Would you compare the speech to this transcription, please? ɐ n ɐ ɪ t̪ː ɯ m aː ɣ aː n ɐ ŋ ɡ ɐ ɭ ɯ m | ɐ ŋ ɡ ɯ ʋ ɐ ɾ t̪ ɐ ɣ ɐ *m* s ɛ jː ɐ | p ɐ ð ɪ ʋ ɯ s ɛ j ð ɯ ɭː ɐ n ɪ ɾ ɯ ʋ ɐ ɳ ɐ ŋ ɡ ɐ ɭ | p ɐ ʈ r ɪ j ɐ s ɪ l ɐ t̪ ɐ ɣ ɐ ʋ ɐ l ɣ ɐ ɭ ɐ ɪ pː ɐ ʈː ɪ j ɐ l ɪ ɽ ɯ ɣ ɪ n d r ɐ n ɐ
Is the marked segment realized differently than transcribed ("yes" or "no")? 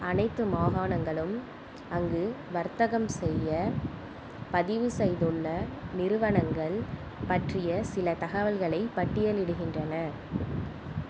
no